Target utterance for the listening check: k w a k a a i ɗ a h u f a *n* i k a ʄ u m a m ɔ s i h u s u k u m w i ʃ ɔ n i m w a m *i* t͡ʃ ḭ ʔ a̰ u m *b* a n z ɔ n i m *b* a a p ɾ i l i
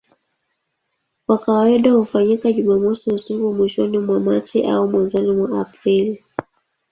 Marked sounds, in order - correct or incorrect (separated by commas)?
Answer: incorrect, incorrect, incorrect, incorrect